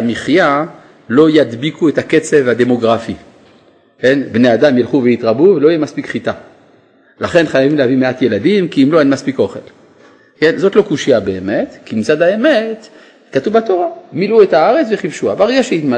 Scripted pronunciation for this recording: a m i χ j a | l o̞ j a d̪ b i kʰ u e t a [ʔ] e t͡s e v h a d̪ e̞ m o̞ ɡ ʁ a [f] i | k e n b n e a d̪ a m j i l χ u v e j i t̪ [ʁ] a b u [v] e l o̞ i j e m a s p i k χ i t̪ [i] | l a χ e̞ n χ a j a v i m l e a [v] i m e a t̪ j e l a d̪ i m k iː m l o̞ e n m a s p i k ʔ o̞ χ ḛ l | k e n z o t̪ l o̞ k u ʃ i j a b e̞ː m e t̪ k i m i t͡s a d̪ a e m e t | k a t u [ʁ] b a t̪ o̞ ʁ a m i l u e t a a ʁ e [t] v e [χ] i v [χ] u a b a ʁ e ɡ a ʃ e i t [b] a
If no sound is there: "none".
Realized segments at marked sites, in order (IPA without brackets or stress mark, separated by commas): k, f, ʁ, v, a, v, v, t͡s, χ, ʃ, m